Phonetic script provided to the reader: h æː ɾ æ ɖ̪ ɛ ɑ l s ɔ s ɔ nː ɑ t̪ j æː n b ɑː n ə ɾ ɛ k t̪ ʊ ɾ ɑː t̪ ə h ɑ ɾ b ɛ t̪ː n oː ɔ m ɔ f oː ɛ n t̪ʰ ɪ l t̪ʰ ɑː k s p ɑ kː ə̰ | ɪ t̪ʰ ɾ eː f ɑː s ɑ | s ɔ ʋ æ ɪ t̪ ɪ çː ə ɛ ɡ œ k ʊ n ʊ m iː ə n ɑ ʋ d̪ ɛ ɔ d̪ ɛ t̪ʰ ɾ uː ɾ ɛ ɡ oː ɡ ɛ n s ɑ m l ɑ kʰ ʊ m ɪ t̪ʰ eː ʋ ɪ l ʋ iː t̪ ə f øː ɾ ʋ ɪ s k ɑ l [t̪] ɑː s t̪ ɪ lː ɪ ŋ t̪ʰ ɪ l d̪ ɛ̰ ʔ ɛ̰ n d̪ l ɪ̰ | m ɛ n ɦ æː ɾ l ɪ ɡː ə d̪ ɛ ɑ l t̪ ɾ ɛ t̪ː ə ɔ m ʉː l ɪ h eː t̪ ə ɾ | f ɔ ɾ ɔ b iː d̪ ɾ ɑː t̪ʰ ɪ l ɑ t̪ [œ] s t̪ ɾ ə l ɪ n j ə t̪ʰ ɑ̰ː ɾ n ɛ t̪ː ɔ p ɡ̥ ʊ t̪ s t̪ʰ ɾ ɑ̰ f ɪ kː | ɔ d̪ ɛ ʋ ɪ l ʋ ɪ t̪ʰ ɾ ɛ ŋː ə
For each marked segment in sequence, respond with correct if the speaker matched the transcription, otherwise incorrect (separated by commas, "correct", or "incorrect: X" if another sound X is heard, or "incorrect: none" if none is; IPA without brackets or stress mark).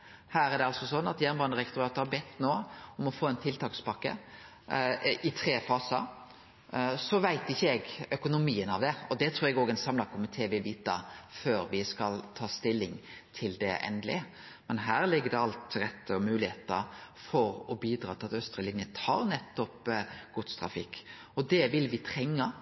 incorrect: t̪ʰ, correct